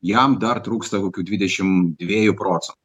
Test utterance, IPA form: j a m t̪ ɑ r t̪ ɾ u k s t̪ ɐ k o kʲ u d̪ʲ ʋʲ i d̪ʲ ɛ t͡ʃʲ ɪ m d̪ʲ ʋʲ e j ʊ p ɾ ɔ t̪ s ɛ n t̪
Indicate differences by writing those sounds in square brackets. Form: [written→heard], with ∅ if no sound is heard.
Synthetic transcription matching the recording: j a m [t̪→d̪] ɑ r t̪ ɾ u k s t̪ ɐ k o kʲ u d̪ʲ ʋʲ i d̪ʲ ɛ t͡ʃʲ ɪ m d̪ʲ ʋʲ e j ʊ p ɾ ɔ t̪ s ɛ n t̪